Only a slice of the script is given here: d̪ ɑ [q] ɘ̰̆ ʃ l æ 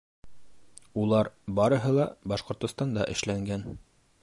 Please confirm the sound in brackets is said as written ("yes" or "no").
no